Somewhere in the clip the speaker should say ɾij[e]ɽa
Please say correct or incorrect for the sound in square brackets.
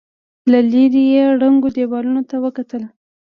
correct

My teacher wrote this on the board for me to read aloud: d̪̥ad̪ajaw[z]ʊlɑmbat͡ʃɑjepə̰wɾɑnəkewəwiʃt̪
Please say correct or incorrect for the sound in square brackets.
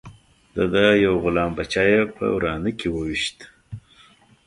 incorrect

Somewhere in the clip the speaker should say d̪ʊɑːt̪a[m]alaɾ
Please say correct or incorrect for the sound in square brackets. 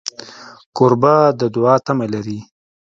correct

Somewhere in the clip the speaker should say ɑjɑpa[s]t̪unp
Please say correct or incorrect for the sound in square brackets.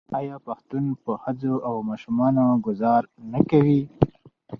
incorrect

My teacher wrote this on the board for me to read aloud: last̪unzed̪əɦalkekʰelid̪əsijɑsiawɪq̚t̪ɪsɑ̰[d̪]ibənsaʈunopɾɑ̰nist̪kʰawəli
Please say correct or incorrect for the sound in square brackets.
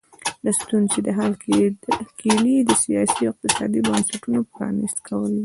correct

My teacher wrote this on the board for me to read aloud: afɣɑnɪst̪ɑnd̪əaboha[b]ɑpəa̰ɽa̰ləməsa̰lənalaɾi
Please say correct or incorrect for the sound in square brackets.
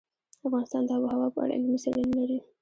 incorrect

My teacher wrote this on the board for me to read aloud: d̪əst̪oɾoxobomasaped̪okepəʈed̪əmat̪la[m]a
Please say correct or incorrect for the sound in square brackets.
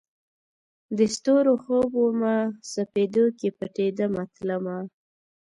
correct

